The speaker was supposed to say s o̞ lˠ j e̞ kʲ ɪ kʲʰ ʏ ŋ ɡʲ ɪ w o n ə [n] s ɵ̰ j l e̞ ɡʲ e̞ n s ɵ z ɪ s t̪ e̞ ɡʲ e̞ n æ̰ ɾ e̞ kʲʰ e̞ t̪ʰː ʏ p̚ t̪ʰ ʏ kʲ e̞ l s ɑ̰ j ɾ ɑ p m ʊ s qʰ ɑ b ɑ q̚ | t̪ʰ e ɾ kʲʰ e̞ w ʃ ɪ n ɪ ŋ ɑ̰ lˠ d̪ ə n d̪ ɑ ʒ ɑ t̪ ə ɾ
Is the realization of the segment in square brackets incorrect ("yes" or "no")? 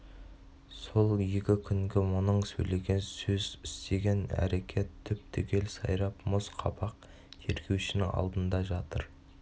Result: yes